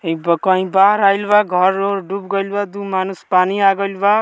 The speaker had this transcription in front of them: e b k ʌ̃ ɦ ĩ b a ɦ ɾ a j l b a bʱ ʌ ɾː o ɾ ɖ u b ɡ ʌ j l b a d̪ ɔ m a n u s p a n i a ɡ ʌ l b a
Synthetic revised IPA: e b k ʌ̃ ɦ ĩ b a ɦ ɾ a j l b a ɡʱ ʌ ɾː o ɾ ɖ u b ɡ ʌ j l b a d̪ u m a n u s p a n i a ɡ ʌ l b a